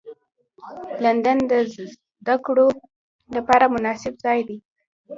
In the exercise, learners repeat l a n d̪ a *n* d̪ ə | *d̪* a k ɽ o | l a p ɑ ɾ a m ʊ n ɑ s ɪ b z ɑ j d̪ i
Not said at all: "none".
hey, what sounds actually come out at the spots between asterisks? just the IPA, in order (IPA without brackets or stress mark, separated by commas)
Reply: n, d̪